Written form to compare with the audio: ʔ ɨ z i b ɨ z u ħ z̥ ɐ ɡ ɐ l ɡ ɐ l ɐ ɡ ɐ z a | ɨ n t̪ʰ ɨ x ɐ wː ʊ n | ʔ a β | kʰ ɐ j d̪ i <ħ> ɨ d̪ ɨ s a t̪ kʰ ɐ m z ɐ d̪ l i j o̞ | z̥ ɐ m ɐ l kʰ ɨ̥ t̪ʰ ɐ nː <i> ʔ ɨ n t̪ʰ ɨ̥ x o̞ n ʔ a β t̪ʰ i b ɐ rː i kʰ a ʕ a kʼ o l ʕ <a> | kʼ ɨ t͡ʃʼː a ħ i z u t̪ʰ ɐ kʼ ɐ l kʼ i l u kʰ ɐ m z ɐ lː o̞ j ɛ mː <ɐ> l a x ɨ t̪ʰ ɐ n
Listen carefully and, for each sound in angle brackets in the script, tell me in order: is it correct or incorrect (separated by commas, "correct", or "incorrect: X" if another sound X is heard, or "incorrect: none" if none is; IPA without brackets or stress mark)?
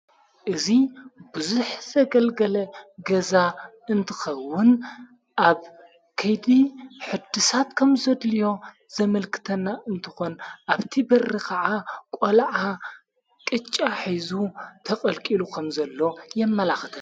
correct, incorrect: a, correct, correct